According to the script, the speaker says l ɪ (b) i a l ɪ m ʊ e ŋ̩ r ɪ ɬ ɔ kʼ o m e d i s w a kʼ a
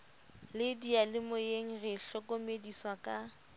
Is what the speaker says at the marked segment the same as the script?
no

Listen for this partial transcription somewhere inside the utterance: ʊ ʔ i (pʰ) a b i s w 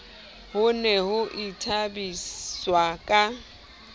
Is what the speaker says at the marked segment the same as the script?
no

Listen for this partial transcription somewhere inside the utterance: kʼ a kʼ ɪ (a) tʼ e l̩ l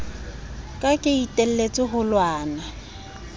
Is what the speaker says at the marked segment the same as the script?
no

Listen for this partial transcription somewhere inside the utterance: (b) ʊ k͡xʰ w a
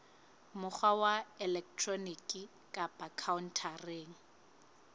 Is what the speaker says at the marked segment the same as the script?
no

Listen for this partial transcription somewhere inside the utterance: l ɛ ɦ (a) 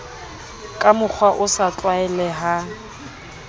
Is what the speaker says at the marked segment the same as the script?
yes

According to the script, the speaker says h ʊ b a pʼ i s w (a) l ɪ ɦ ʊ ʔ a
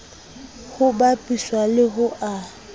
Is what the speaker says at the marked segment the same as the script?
yes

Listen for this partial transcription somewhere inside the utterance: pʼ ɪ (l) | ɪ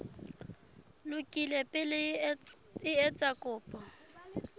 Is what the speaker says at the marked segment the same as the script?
yes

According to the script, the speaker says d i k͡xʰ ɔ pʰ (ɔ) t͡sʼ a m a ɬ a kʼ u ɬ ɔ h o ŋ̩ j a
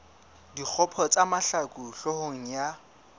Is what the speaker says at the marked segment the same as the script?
yes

